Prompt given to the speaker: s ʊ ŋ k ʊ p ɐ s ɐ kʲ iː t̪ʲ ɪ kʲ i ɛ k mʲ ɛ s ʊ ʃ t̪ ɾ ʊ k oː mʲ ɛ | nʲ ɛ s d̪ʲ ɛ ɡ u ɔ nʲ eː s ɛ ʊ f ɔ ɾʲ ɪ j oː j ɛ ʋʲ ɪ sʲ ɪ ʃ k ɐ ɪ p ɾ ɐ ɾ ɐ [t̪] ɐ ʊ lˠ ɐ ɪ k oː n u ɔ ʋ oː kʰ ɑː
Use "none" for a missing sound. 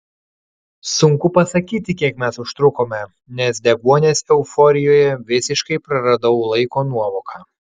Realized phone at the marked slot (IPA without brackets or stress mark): d̪